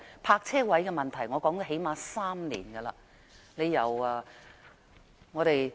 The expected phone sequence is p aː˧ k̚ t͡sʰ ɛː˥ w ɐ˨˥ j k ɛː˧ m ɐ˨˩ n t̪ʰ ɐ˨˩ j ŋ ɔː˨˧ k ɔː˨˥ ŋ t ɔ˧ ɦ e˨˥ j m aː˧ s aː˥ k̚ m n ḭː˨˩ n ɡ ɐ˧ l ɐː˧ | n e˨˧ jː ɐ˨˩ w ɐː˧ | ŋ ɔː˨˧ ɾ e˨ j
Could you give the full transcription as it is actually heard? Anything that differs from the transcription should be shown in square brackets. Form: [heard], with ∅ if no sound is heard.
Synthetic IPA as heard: [pʰ] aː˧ k̚ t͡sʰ ɛː˥ w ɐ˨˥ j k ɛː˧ m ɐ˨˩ n t̪ʰ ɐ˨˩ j ŋ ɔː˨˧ k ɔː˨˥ ŋ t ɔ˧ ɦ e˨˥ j m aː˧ s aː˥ [∅] m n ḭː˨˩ n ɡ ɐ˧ l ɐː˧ | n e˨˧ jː ɐ˨˩ w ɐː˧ | ŋ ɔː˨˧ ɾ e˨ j